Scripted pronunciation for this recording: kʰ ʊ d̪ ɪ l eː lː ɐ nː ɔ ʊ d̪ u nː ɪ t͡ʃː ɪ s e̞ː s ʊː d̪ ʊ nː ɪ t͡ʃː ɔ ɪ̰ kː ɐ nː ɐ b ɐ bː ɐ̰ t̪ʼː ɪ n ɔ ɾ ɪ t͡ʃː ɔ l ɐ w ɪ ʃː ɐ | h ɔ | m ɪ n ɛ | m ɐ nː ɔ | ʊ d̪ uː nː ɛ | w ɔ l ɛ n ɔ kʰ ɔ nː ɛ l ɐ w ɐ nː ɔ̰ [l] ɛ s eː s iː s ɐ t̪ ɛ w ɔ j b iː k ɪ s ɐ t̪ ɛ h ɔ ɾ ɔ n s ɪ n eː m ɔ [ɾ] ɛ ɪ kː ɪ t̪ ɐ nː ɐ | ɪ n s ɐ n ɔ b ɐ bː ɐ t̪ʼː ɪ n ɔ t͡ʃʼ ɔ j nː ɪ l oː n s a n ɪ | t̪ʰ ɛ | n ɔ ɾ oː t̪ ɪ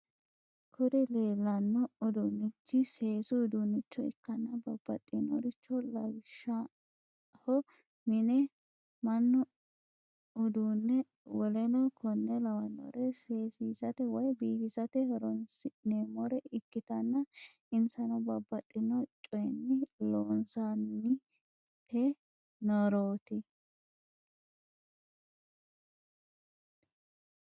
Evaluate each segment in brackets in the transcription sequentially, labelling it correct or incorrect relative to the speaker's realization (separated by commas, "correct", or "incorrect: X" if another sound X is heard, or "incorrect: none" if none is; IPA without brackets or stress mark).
incorrect: ɾ, correct